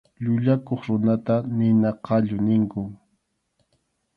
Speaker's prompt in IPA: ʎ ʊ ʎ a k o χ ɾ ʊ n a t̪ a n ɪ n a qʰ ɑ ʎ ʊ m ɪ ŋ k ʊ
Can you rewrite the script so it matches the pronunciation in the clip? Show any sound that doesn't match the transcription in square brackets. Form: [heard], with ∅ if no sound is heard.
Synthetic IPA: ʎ ʊ ʎ a k o χ ɾ ʊ n a t̪ a n ɪ n a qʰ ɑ ʎ ʊ [n] ɪ ŋ k ʊ